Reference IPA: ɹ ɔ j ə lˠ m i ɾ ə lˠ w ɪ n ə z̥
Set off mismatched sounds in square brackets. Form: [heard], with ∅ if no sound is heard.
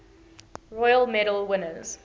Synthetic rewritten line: ɹ ɔ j ə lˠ m [ɛ] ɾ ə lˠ w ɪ n ə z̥